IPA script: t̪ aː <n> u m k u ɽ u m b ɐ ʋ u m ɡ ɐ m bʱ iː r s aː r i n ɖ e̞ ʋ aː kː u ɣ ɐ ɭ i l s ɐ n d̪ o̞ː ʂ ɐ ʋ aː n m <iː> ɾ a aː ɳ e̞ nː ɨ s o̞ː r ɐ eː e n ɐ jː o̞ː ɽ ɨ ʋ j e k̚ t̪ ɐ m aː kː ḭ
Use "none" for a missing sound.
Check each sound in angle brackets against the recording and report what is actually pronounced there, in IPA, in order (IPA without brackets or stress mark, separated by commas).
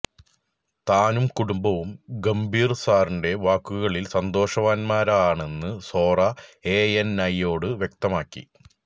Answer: n, aː